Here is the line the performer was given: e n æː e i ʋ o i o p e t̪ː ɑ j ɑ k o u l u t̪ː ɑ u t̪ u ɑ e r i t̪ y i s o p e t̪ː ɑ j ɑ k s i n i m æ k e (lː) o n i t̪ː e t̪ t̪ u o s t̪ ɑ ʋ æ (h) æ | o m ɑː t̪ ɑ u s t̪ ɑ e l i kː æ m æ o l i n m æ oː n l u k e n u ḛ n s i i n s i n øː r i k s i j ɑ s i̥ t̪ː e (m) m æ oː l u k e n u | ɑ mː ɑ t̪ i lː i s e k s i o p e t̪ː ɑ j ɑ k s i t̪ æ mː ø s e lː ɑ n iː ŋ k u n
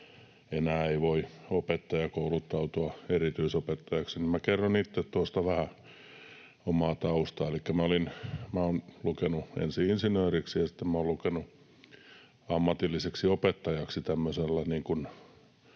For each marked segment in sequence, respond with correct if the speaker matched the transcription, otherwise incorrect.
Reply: incorrect: rː, correct, correct

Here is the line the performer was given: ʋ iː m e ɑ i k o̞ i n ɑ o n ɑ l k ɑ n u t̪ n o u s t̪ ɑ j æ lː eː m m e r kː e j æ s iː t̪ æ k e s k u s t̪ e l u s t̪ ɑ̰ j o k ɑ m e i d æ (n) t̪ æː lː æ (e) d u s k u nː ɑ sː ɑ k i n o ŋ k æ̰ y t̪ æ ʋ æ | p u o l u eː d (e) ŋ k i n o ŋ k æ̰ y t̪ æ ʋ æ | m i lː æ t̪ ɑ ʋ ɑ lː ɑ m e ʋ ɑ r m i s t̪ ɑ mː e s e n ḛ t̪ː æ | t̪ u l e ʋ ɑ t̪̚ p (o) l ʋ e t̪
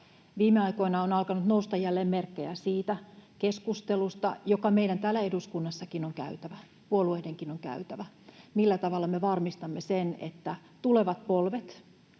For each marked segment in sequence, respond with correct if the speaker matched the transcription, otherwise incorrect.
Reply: correct, correct, correct, correct

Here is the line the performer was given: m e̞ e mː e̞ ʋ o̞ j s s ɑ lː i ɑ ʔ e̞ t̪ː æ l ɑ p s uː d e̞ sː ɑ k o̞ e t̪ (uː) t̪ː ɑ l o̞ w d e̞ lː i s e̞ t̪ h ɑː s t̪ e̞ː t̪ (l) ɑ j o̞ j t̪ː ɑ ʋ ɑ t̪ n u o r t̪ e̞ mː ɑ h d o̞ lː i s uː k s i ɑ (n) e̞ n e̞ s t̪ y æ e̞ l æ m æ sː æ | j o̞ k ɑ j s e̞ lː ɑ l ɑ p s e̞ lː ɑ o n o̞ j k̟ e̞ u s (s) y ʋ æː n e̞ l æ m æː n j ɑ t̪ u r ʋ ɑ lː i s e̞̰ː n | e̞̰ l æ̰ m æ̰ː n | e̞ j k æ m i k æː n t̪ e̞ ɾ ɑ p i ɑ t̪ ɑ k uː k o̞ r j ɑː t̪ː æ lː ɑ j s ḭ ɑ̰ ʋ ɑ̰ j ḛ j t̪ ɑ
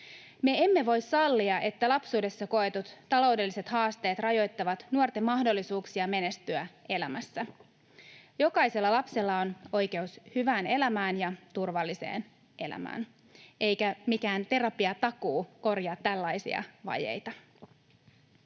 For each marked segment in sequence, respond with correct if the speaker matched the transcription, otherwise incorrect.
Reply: incorrect: u, incorrect: r, incorrect: m, incorrect: h

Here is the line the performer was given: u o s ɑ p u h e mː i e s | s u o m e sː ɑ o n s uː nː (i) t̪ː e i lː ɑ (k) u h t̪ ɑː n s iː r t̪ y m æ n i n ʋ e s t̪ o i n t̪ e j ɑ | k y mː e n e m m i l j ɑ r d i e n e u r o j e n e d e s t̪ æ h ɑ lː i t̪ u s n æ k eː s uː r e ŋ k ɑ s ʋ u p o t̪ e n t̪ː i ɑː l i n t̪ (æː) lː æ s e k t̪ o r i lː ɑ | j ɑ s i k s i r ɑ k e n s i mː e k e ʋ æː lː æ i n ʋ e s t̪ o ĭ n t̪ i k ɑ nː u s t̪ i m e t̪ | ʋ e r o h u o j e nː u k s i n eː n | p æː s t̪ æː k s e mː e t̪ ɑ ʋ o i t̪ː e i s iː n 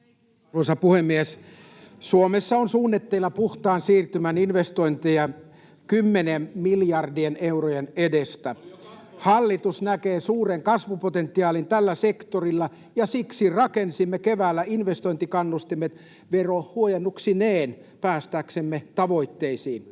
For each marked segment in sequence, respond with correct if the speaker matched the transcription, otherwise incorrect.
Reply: incorrect: e, incorrect: p, incorrect: æ

